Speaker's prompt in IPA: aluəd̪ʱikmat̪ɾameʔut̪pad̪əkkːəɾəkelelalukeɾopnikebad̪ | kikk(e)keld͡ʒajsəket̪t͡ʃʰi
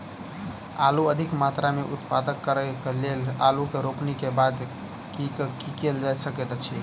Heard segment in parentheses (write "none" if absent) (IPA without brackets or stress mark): i